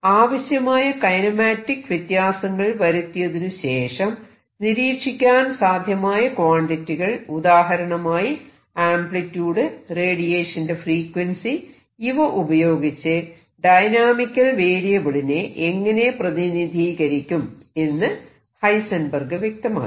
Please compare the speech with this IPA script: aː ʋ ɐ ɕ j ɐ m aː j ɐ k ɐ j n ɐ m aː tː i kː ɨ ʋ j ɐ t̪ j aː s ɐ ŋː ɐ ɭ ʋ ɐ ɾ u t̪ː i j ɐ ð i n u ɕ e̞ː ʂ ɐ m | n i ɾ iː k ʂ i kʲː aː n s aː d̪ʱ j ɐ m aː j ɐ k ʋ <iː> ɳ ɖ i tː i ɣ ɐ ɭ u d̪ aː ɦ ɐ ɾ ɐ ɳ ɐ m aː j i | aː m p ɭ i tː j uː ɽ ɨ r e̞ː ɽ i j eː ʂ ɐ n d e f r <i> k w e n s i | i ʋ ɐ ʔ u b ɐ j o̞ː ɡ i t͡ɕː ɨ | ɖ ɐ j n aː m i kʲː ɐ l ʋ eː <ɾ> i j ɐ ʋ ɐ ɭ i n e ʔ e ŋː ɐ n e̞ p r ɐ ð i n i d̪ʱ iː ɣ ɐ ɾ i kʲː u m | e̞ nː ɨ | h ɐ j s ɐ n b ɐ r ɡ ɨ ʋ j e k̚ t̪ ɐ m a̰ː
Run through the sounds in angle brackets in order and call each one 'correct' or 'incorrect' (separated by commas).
incorrect, incorrect, incorrect